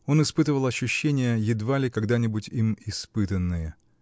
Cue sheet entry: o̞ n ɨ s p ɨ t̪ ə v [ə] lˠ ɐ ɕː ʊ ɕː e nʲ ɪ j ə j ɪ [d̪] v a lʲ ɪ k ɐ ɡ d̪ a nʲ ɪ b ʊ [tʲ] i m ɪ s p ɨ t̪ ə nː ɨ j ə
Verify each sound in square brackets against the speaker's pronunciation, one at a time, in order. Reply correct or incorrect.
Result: correct, correct, correct

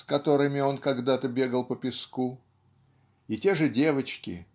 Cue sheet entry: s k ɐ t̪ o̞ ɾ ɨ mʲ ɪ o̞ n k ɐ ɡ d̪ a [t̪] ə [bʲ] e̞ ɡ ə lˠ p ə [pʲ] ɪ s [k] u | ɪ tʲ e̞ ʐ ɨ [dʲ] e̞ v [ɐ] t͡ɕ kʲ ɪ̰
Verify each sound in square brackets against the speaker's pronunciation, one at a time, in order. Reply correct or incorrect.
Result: correct, correct, correct, correct, correct, incorrect: ə

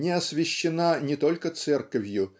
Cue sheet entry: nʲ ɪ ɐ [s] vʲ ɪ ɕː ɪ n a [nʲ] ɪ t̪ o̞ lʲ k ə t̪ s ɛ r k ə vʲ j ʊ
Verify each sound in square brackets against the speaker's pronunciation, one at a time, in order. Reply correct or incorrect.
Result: correct, correct

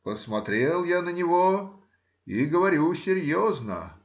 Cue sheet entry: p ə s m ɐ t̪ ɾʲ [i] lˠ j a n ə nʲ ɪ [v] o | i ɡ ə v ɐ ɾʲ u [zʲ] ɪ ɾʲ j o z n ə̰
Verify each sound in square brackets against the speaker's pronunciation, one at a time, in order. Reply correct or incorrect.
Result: incorrect: e, correct, incorrect: sʲ

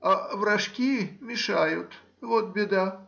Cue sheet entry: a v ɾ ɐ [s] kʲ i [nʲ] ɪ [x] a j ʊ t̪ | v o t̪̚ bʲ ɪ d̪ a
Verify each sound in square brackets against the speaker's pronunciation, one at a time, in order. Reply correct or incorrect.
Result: incorrect: ʂ, incorrect: mʲ, incorrect: ʂ

